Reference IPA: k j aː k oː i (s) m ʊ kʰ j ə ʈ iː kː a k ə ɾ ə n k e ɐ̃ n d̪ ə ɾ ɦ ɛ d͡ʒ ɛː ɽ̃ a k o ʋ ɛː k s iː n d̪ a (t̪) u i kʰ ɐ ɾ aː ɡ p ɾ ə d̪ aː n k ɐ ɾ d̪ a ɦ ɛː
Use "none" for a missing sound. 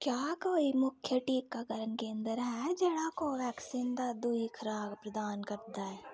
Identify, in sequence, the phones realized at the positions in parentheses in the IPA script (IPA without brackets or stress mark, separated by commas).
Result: none, d̪